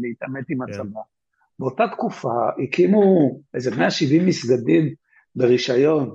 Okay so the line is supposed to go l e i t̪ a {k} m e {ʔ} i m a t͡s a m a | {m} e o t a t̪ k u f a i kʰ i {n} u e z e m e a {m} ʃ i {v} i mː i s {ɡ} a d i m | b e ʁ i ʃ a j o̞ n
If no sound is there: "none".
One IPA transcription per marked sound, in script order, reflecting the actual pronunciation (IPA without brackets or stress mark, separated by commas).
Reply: none, t, b, m, none, v, ɡ